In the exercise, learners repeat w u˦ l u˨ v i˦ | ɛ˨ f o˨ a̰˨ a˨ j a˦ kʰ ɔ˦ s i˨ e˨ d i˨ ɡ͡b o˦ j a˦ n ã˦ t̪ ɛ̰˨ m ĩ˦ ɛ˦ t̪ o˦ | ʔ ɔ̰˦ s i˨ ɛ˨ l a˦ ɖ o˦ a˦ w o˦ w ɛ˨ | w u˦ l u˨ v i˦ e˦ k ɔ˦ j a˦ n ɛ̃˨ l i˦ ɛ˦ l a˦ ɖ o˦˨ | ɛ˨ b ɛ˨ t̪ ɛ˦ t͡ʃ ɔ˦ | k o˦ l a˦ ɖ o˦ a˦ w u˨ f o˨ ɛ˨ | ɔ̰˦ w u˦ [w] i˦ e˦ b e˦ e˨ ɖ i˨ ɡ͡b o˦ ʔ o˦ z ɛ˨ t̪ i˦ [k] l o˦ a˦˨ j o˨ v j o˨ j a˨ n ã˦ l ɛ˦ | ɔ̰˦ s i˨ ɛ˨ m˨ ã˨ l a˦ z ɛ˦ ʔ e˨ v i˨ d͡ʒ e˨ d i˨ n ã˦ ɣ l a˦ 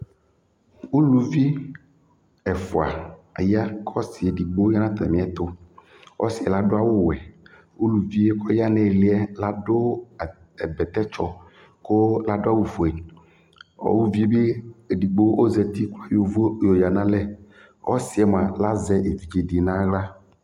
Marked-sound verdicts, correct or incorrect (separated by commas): incorrect, correct